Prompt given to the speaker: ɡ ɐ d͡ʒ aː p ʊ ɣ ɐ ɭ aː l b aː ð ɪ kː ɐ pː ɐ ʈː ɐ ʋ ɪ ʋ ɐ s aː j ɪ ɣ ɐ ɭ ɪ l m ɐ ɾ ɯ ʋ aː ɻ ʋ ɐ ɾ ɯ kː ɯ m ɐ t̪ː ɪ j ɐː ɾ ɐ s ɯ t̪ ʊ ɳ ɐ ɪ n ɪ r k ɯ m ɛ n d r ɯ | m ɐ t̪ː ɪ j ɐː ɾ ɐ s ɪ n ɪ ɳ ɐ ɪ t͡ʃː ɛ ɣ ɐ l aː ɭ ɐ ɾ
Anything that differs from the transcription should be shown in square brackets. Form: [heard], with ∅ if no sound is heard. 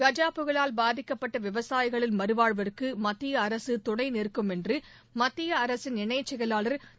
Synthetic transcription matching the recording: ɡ ɐ d͡ʒ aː p [ɯ] ɣ ɐ ɭ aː l b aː ð ɪ kː ɐ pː ɐ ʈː ɐ ʋ ɪ ʋ ɐ s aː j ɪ ɣ ɐ ɭ ɪ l m ɐ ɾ ɯ ʋ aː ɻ ʋ ɐ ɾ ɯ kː ɯ m ɐ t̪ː ɪ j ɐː ɾ ɐ s ɯ t̪ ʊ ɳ ɐ ɪ n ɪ r k ɯ m ɛ n d r ɯ | m ɐ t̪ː ɪ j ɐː ɾ ɐ s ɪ n ɪ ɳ ɐ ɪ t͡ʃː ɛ ɣ ɐ l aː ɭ ɐ ɾ